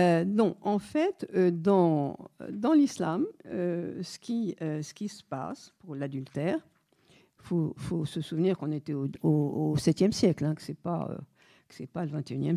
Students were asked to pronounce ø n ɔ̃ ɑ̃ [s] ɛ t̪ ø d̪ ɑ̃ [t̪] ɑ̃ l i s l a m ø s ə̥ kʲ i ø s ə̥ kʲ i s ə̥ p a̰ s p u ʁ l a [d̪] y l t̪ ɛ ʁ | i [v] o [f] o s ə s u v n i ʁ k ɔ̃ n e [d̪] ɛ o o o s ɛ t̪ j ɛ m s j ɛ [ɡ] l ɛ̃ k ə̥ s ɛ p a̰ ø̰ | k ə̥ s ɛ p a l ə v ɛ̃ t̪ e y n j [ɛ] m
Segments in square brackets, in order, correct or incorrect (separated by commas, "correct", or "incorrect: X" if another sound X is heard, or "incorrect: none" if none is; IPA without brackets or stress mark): incorrect: f, incorrect: d̪, correct, incorrect: f, correct, incorrect: t̪, incorrect: k, correct